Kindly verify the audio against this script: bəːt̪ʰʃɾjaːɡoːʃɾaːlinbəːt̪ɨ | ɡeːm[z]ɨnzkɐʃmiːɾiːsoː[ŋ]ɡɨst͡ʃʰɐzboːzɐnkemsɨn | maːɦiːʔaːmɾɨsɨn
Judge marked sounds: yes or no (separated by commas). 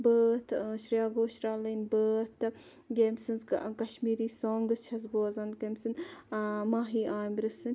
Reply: no, yes